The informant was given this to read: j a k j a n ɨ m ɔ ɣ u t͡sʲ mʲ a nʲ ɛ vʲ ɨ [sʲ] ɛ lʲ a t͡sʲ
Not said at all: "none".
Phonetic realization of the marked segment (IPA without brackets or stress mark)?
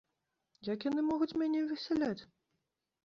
sʲ